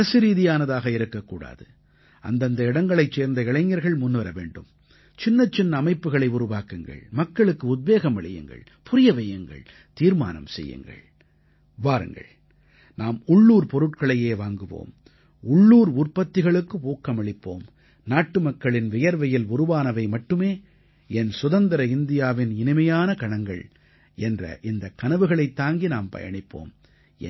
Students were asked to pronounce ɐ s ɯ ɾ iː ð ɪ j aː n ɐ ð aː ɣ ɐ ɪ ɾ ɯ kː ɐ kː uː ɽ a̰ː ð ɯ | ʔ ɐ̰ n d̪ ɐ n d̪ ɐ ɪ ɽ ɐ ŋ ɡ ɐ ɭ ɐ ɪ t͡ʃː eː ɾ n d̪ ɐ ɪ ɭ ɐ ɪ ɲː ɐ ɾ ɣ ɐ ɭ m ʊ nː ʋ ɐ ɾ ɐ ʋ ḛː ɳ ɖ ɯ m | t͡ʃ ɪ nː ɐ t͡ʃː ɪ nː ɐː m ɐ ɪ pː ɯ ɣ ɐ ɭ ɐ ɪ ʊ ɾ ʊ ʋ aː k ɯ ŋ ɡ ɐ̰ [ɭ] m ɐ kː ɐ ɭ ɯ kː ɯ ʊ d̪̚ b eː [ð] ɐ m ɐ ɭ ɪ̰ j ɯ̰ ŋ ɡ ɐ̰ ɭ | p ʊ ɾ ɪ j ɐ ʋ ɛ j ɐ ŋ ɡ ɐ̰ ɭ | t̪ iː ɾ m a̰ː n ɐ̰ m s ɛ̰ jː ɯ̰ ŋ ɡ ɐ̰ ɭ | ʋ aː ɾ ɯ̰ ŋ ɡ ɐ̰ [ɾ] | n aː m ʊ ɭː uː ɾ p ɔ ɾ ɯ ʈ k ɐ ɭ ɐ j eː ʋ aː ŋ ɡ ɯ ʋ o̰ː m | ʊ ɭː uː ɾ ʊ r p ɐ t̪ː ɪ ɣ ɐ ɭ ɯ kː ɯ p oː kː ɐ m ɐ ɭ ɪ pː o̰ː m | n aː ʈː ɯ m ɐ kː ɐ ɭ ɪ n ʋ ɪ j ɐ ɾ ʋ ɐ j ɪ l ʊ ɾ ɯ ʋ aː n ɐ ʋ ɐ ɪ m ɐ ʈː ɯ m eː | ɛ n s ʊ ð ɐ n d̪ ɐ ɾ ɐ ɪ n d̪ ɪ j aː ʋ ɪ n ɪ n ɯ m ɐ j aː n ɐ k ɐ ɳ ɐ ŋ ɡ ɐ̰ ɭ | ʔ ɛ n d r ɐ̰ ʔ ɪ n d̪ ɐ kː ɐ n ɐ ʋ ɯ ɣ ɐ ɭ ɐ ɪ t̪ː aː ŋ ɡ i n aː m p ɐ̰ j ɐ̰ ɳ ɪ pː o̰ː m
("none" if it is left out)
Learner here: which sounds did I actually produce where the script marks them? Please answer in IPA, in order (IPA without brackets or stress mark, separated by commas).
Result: ɭ, ɣ, ɭ